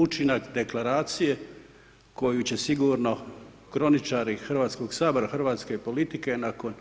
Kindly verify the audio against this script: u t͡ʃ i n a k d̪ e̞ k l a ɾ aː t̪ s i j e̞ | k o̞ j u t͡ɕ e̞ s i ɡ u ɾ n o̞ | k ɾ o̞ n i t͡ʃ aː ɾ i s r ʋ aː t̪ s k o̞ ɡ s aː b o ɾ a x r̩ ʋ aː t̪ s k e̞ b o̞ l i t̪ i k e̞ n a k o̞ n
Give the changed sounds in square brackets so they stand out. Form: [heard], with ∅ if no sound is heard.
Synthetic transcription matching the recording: u t͡ʃ i n a k d̪ e̞ k l a ɾ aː t̪ s i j e̞ | k o̞ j u t͡ɕ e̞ s i ɡ u ɾ n o̞ | k ɾ o̞ n i t͡ʃ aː ɾ i [x] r ʋ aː t̪ s k o̞ ɡ s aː b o ɾ a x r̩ ʋ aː t̪ s k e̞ [p] o̞ l i t̪ i k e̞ n a k o̞ n